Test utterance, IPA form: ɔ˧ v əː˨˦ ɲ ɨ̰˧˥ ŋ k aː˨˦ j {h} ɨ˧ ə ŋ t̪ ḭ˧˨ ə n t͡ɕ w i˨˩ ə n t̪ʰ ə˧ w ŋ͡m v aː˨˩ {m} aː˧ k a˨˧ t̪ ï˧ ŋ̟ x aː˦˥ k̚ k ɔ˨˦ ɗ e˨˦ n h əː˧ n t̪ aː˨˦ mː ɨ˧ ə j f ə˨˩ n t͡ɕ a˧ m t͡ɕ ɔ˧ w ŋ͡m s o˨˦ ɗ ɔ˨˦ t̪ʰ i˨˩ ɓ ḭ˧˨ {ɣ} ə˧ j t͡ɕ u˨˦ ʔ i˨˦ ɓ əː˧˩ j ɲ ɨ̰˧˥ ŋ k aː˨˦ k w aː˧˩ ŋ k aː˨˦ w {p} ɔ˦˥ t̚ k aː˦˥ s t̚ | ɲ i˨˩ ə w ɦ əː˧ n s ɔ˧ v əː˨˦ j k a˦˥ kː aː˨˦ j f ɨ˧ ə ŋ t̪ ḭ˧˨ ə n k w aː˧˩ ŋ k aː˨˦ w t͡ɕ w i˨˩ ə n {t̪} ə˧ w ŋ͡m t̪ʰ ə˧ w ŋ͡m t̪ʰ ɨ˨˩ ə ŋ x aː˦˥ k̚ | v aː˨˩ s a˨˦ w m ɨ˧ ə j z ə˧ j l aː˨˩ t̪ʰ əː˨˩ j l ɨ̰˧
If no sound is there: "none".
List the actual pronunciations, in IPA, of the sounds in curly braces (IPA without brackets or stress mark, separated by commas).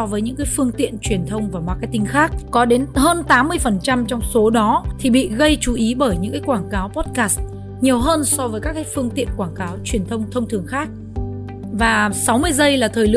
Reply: f, m, ɣ, p, t̪ʰ